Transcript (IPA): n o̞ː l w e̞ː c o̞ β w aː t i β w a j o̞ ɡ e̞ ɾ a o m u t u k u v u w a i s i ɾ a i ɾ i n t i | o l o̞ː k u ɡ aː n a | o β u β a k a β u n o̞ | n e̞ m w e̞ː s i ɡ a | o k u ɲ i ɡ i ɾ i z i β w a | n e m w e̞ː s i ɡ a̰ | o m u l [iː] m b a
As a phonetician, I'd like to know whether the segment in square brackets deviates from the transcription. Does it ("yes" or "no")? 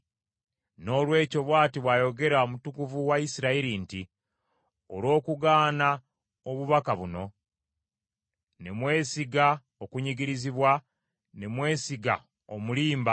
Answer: no